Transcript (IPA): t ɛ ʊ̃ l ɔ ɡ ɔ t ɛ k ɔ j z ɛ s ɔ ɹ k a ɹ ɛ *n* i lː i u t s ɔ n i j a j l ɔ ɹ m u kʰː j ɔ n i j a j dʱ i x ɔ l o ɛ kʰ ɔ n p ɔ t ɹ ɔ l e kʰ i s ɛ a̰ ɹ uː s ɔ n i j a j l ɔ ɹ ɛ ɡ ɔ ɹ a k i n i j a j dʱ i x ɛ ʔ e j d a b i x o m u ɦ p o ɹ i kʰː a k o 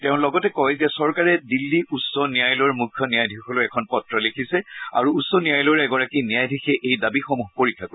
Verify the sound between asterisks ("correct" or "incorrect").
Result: incorrect